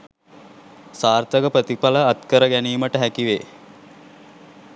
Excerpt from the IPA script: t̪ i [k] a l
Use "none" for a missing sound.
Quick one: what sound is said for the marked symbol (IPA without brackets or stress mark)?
p